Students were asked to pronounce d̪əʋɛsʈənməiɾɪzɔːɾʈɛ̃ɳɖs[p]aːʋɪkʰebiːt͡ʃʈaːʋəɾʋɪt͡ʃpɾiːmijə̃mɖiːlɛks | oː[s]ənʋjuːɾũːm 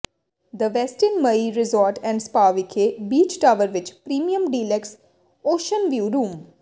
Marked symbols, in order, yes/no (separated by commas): yes, no